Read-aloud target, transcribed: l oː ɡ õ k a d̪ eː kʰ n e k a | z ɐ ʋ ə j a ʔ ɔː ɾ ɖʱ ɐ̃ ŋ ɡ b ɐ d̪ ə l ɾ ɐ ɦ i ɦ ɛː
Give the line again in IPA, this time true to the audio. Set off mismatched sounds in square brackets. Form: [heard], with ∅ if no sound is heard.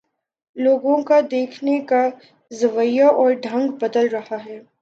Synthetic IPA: l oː ɡ õ k a d̪ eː kʰ n e k a | z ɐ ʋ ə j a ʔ ɔː ɾ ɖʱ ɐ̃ ŋ ɡ b ɐ d̪ ə l ɾ ɐ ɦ [a] ɦ ɛː